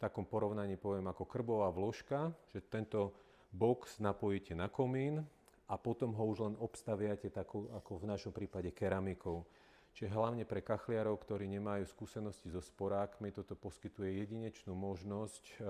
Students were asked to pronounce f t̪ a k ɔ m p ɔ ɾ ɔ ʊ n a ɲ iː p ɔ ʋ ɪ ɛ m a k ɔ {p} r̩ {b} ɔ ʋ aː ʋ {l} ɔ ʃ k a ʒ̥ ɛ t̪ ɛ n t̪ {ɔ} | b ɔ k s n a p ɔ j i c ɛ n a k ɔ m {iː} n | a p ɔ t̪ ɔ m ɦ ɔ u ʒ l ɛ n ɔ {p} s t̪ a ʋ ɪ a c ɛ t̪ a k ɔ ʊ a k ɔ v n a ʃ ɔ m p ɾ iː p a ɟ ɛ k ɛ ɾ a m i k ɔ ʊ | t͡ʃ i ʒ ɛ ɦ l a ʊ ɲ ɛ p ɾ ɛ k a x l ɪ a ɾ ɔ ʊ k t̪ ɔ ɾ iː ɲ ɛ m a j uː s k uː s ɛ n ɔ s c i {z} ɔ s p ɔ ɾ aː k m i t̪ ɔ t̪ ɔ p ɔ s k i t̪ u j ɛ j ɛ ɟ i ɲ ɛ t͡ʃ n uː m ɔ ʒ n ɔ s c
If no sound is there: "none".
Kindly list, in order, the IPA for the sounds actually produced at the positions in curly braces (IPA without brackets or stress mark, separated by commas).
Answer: k, b, l, ɔ, iː, p, z